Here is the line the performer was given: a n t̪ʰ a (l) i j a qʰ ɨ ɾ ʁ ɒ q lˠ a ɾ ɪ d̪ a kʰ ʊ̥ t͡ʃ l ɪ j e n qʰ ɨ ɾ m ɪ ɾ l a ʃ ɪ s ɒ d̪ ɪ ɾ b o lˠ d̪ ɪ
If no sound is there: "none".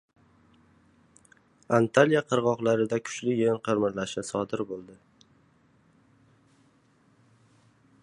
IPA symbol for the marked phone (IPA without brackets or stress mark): l